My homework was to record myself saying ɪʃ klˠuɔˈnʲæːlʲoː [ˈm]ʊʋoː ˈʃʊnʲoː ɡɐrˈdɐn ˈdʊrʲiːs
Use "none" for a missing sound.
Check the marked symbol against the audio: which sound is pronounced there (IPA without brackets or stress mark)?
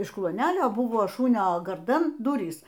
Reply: b